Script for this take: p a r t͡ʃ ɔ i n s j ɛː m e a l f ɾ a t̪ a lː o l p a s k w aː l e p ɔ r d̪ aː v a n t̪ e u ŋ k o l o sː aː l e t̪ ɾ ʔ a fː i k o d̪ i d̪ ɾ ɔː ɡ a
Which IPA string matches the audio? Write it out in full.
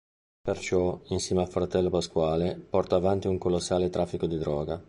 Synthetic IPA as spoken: p e r t͡ʃ ɔ i n s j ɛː m e a l f ɾ a t̪ ɛ lː o p a s k w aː l e p ɔ r t̪ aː v a n t̪ i u ŋ k o l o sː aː l e t̪ ɾ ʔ a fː i k o d̪ i d̪ ɾ ɔː ɡ a